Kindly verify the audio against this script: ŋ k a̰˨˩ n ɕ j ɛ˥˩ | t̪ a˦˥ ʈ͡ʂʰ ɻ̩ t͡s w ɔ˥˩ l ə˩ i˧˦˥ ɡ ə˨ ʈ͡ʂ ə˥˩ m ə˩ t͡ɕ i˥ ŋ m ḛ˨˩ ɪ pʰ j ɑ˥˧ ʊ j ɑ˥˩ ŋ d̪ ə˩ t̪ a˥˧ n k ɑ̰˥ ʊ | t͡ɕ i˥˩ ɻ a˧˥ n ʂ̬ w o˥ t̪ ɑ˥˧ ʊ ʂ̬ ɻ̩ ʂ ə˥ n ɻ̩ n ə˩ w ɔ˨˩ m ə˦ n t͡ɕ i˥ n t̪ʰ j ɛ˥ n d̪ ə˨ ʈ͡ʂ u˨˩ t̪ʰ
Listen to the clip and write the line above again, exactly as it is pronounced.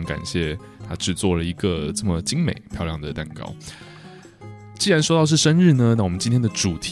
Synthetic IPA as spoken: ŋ k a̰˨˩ n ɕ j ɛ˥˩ | t̪ʰ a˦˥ ʈ͡ʂ ɻ̩ t͡s w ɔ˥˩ l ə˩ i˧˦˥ ɡ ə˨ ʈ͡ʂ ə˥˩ m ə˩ t͡ɕ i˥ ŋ m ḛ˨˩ ɪ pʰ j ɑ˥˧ ʊ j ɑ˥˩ ŋ d̪ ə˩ t̪ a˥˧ n k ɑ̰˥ ʊ | t͡ɕ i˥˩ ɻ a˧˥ n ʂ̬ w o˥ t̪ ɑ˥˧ ʊ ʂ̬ ɻ̩ ʂ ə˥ n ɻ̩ n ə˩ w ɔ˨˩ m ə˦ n t͡ɕ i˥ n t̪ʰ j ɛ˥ n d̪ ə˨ ʈ͡ʂ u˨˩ t̪ʰ